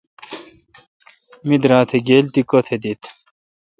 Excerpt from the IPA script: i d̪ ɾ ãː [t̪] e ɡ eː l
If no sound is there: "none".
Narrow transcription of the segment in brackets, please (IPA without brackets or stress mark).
t̪ʰ